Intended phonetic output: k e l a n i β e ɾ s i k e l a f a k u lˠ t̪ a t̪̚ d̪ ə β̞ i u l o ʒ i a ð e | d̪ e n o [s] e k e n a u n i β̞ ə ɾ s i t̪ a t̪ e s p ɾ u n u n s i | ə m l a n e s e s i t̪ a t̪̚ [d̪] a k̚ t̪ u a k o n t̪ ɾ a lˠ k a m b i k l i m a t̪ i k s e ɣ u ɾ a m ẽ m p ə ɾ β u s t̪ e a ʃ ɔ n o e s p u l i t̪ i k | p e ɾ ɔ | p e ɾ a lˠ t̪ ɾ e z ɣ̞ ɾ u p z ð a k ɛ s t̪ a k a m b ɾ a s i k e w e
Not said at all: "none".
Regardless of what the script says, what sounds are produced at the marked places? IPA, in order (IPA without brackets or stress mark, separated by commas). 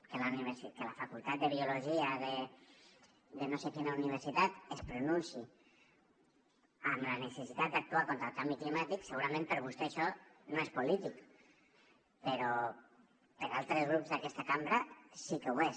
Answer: s, d̪